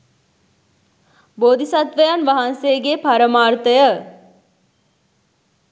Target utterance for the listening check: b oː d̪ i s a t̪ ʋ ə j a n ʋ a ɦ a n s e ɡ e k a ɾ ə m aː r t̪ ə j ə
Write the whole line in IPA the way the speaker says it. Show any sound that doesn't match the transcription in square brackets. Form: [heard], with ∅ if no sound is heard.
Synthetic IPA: b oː d̪ i s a t̪ ʋ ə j a n ʋ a ɦ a n s e ɡ e [p] a ɾ ə m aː r t̪ ə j ə